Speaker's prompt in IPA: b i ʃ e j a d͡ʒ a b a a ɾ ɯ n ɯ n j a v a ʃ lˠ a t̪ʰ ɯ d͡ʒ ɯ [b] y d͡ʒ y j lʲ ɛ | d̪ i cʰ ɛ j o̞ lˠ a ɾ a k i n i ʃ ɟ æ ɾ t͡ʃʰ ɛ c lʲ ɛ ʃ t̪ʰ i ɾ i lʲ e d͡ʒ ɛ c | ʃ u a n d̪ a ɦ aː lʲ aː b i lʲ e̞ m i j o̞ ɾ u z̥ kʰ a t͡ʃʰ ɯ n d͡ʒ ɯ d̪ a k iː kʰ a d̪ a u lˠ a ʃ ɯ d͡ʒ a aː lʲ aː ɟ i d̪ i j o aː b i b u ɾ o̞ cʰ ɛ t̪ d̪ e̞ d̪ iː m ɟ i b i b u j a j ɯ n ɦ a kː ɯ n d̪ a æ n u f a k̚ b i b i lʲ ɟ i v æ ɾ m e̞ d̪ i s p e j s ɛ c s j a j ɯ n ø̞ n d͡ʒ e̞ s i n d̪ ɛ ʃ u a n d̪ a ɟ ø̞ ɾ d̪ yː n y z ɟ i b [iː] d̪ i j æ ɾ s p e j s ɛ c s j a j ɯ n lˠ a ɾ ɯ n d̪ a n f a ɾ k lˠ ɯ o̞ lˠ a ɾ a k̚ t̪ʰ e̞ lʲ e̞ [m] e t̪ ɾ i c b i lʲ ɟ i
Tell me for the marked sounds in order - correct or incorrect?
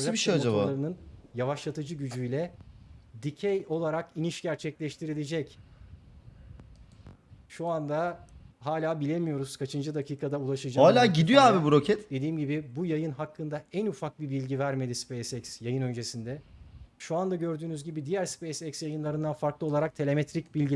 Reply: incorrect, incorrect, correct

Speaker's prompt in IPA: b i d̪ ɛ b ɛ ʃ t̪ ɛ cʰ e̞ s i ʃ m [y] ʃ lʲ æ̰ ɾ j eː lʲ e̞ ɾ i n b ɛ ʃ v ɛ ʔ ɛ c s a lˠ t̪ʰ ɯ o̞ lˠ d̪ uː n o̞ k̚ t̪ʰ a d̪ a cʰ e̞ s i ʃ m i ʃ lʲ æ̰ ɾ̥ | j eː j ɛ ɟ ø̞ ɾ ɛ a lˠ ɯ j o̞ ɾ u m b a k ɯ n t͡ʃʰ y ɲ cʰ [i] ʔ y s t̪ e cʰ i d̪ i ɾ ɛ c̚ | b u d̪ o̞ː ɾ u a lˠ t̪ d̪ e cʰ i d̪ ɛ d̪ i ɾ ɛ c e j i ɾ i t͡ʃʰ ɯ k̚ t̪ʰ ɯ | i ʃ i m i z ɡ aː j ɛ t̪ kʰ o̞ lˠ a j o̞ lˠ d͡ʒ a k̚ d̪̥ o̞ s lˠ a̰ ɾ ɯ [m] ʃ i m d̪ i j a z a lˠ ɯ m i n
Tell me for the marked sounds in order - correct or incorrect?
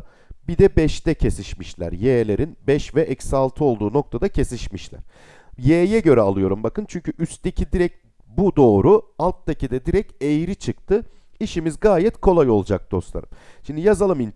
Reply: incorrect, incorrect, correct

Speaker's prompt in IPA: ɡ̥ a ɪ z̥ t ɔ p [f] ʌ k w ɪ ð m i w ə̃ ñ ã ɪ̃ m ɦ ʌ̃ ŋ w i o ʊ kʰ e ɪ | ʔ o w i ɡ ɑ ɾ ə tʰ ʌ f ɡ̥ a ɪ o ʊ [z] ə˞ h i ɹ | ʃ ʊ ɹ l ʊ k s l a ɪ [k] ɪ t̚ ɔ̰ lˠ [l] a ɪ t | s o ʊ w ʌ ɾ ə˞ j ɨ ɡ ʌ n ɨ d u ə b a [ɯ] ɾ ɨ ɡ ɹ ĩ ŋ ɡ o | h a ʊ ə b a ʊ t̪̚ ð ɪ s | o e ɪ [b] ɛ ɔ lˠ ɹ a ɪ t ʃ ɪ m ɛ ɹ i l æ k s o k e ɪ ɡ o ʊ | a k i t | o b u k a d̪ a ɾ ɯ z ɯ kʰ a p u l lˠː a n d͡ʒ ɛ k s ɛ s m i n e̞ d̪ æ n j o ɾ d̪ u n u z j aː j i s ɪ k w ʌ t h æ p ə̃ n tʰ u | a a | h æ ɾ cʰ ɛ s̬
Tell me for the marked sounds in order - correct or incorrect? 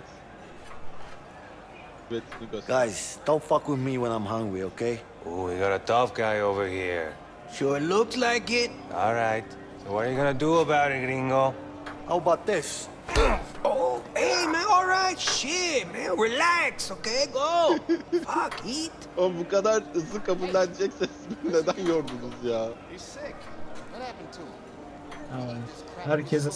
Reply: correct, incorrect, correct, incorrect, incorrect, incorrect

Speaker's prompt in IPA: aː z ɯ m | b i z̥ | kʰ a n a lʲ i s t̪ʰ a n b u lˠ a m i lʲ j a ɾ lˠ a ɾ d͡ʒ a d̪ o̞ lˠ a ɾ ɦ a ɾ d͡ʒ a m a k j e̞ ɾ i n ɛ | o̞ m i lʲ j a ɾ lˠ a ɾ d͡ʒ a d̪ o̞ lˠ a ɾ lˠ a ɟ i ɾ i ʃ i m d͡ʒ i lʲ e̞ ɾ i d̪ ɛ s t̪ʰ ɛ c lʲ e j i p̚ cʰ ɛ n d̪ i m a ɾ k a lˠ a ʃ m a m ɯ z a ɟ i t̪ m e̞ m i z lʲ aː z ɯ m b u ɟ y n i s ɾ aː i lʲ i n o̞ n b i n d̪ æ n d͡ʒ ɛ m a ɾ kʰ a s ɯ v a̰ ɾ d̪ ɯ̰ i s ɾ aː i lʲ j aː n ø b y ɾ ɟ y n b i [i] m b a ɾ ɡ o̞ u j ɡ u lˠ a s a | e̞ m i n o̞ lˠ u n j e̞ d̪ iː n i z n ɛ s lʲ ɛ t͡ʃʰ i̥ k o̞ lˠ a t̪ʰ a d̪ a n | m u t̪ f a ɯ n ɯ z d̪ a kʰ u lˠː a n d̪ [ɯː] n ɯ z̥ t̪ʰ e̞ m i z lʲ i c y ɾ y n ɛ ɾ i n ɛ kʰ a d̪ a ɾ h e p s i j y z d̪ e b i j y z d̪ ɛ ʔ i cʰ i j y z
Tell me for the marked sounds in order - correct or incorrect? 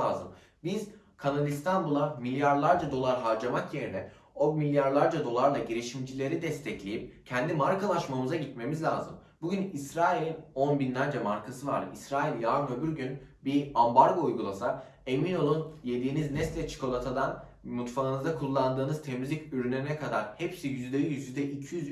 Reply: incorrect, correct

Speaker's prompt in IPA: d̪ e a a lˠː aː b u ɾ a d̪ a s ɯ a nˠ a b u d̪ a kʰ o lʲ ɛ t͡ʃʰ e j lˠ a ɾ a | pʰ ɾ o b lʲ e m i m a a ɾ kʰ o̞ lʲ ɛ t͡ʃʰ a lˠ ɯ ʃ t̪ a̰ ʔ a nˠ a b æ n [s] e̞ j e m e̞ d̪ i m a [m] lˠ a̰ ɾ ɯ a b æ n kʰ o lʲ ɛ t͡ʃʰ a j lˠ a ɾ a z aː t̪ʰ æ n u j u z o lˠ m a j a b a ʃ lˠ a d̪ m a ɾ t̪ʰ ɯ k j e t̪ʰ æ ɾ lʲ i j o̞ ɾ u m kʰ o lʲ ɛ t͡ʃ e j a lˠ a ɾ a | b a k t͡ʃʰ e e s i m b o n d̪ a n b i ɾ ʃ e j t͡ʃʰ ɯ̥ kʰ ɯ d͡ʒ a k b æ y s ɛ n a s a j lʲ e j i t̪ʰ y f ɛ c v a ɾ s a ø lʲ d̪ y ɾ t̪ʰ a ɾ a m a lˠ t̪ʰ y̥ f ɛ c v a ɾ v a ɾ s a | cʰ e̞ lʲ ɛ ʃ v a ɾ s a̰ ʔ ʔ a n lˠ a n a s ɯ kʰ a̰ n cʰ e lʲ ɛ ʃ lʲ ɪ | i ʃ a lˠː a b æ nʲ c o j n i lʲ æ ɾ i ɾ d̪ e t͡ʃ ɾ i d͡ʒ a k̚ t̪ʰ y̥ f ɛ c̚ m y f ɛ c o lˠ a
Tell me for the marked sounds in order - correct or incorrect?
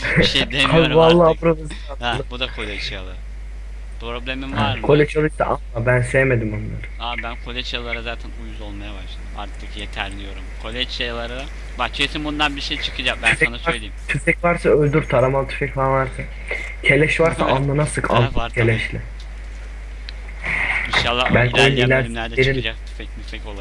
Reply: correct, incorrect

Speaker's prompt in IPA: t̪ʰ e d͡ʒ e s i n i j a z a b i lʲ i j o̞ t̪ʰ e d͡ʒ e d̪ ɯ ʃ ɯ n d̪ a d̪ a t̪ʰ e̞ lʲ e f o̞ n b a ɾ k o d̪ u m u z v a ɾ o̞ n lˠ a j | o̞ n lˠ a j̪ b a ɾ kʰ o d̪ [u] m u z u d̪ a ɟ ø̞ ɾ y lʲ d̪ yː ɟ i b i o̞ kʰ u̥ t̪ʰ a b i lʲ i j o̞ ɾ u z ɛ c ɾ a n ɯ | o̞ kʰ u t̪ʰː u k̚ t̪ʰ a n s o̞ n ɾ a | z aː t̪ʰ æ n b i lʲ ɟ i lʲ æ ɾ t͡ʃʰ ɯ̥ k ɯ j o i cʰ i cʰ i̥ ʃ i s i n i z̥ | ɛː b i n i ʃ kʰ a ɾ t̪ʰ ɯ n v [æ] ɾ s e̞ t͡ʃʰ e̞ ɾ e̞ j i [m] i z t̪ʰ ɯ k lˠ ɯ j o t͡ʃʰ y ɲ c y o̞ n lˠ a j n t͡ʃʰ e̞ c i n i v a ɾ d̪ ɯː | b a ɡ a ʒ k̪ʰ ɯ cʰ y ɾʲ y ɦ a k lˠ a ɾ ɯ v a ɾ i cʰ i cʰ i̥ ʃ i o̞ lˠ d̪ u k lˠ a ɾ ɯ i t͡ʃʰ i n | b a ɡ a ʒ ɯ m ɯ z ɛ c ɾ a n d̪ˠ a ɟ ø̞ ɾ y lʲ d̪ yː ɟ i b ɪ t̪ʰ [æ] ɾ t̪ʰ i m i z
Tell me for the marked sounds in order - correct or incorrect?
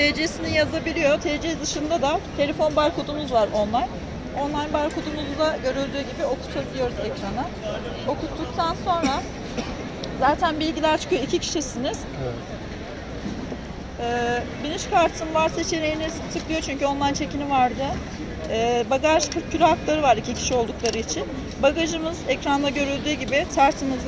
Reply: correct, incorrect, incorrect, correct

